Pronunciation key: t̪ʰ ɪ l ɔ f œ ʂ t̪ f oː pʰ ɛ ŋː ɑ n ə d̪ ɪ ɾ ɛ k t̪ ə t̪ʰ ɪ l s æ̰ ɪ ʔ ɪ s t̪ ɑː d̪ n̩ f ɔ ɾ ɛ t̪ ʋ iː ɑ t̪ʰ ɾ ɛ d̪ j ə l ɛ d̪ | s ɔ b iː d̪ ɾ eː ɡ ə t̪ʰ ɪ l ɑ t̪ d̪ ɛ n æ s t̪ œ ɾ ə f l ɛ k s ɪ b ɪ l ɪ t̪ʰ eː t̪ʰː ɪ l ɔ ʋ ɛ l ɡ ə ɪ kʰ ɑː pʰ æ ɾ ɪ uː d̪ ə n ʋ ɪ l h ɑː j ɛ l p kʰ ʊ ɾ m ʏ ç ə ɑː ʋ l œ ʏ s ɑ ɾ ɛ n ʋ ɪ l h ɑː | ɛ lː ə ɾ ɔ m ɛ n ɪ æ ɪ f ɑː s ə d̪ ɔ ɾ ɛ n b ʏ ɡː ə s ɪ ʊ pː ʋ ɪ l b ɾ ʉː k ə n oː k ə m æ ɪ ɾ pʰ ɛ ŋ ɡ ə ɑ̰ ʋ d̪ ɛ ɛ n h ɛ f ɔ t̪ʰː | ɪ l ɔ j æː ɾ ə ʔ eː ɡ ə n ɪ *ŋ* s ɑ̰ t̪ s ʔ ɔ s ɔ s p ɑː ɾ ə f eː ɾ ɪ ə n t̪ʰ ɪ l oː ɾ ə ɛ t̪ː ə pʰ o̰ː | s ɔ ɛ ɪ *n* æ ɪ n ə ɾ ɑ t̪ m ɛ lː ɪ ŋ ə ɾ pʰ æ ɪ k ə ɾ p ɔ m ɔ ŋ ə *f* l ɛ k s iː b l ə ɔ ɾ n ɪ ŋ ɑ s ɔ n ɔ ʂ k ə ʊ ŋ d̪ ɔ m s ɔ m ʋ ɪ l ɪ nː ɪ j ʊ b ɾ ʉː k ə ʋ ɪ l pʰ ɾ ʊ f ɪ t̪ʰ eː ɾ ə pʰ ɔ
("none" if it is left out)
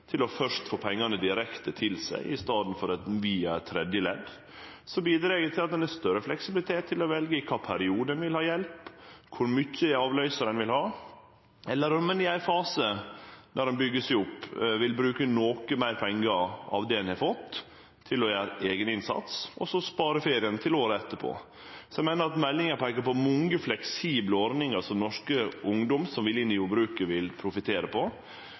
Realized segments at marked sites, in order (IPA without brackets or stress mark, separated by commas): n, m, f